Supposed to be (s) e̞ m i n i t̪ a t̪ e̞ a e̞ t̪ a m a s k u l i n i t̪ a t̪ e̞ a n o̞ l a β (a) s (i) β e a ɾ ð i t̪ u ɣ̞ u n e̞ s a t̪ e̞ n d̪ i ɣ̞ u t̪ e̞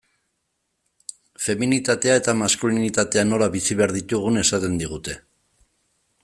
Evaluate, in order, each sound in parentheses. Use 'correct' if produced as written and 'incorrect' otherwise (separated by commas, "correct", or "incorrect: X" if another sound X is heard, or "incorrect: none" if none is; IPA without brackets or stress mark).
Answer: incorrect: f, incorrect: i, correct